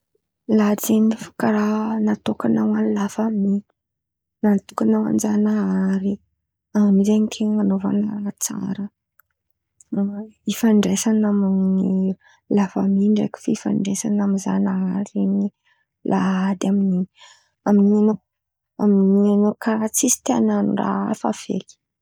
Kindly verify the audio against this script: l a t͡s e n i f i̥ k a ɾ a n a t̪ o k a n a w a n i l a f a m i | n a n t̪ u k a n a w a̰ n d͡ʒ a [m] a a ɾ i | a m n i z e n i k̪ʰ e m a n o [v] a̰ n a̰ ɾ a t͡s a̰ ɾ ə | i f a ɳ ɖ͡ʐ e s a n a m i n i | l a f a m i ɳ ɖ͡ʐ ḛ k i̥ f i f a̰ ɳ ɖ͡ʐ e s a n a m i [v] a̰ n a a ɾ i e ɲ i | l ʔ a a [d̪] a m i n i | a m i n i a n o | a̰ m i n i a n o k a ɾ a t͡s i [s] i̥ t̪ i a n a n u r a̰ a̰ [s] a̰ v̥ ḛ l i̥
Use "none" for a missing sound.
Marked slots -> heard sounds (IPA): n, v, z, d̪, s, f

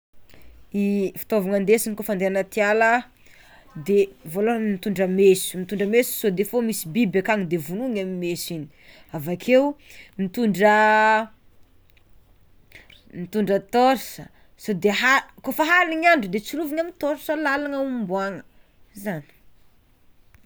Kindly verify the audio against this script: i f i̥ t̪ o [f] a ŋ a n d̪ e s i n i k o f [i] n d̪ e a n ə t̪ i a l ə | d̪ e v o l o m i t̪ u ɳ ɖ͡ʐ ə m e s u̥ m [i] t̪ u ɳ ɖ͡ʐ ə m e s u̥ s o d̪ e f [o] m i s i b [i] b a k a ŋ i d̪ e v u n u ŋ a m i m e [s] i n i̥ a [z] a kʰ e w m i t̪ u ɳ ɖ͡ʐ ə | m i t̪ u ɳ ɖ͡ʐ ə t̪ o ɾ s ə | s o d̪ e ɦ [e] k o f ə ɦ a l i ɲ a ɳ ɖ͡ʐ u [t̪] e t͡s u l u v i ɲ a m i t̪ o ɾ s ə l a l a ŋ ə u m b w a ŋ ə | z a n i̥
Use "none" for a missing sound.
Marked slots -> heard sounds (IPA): v, a, i, o, i, s, v, a, d̪

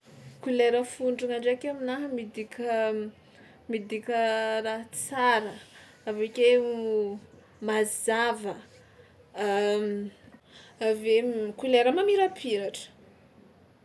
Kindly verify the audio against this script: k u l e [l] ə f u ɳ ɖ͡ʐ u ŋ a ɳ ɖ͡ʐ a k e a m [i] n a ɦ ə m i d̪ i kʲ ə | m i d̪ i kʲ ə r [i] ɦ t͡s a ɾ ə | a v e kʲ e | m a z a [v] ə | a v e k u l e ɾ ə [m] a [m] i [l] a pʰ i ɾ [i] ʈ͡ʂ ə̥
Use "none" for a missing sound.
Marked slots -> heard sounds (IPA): ɾ, i, a, v, m, m, ɾ, a

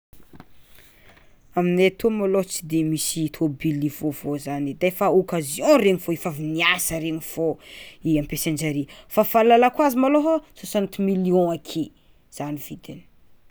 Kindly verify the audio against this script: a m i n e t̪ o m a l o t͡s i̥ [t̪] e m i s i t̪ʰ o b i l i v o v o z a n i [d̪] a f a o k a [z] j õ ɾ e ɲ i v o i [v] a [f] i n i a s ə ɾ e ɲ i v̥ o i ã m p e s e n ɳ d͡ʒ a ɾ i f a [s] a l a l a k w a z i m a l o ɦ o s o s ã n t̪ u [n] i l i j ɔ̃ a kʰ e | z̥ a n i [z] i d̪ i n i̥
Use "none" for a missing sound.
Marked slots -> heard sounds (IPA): d̪, d̪, z, f, v, f, m, v

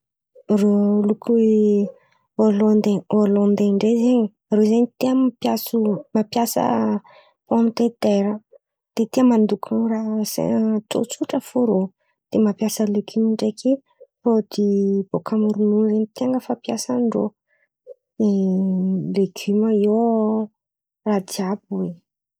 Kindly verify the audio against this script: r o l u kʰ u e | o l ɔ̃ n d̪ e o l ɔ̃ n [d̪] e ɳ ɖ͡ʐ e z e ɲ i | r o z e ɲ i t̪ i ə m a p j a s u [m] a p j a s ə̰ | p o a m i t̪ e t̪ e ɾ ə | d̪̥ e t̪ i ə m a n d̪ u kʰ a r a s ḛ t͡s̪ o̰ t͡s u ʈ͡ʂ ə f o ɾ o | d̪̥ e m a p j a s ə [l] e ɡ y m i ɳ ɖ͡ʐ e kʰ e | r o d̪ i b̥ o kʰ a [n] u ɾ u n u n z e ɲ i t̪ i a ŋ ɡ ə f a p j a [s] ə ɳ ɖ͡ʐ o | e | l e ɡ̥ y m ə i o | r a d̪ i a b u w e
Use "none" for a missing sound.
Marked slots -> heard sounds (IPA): d̪, m, l, m, s

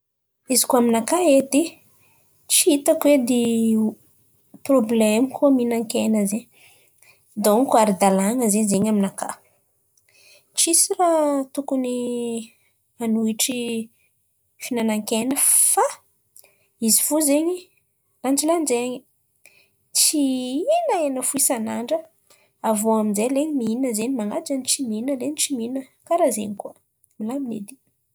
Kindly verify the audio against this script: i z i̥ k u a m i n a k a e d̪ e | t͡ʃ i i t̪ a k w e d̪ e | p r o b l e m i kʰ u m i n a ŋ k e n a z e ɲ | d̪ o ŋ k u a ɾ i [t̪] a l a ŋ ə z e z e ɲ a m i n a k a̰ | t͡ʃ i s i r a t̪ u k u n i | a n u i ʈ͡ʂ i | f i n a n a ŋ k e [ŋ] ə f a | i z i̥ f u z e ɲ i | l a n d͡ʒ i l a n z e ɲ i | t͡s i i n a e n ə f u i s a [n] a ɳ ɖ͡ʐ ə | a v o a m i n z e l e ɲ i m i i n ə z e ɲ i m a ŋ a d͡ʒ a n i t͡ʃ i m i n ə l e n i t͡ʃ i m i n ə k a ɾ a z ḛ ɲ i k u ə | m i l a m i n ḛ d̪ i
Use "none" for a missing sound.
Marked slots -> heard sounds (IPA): d̪, n, n

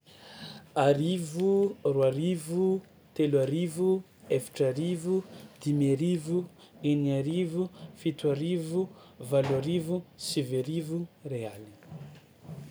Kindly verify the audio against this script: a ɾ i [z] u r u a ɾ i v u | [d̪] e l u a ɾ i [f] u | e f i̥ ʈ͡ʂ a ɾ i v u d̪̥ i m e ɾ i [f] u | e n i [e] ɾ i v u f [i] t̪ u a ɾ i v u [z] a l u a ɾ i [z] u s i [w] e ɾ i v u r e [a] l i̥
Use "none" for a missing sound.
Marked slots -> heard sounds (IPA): v, t̪, v, v, a, i, v, v, v, a

